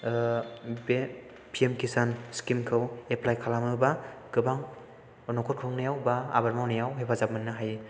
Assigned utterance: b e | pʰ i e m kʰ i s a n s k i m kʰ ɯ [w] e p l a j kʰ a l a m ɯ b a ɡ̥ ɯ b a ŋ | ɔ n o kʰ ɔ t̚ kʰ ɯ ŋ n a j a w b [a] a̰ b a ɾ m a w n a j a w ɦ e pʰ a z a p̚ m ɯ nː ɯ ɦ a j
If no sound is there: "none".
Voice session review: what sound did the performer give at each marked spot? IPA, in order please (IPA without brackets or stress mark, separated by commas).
w, a